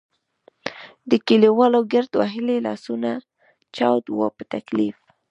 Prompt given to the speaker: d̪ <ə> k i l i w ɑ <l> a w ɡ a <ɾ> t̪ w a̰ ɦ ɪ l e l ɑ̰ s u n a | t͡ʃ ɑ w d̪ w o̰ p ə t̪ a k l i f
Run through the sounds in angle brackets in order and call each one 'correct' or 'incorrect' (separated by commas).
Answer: correct, correct, correct